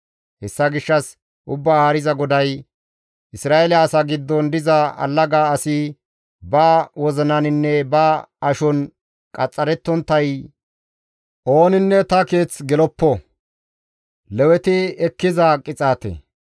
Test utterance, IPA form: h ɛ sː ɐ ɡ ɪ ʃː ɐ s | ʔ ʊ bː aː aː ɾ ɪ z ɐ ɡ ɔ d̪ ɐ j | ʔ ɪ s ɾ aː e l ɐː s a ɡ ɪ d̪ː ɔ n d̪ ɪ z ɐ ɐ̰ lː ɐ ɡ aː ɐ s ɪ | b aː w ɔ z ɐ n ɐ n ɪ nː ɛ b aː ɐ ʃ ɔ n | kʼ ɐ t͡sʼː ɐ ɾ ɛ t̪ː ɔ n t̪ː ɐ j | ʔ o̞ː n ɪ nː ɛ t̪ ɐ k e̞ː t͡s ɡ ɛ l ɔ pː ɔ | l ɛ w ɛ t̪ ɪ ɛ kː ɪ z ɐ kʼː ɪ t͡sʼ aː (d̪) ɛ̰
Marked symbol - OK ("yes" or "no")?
no